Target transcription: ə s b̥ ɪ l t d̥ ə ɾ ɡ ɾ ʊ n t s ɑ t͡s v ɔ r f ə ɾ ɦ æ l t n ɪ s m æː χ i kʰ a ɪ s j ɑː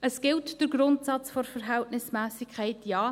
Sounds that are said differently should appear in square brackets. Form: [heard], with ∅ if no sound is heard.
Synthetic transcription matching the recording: ə s [ɡ̥] ɪ l t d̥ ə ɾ ɡ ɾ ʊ n t s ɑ t͡s [f] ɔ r f ə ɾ ɦ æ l t n ɪ s m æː [s] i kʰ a ɪ [t] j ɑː